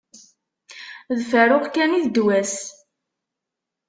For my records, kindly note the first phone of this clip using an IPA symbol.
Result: ð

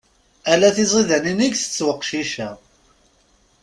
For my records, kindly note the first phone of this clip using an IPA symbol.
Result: æ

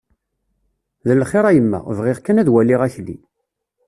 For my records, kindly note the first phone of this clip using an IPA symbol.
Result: ð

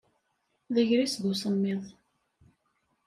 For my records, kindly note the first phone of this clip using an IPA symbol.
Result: ð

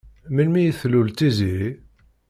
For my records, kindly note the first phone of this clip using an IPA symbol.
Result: m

